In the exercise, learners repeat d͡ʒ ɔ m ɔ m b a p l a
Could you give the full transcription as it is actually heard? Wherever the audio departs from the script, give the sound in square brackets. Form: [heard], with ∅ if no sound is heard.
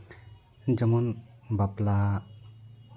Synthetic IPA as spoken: d͡ʒ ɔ m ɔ [n] b a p l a